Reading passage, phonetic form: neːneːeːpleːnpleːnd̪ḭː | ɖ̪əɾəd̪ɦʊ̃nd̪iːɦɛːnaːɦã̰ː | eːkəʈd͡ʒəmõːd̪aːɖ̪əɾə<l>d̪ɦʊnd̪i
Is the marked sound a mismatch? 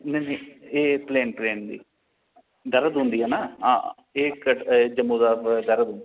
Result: yes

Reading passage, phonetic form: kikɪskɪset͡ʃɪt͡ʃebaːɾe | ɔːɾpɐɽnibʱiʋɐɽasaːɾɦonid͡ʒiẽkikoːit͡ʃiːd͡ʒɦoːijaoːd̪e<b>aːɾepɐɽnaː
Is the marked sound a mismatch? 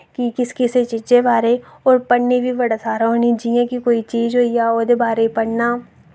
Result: no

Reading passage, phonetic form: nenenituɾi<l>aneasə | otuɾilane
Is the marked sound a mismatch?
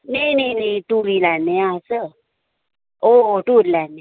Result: no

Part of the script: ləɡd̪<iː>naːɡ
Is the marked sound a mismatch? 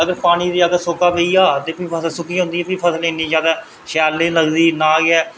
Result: no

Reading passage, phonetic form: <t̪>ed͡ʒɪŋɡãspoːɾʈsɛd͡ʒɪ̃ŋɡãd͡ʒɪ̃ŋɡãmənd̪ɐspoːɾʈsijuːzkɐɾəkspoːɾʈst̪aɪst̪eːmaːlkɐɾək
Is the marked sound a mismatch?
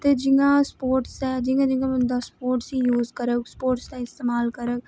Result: no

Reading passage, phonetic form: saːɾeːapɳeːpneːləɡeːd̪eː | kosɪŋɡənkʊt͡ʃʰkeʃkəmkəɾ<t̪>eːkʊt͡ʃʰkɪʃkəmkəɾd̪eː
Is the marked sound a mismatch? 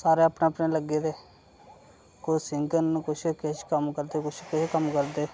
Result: yes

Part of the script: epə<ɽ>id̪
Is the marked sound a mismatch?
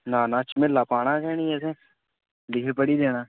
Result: no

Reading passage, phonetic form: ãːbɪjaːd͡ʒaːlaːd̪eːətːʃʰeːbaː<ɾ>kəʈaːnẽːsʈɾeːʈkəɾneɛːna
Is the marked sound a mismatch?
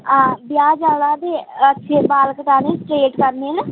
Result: yes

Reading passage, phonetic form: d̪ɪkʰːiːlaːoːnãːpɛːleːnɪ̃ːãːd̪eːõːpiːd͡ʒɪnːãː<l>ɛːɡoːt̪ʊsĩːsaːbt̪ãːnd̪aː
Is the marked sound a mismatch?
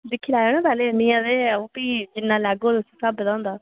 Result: no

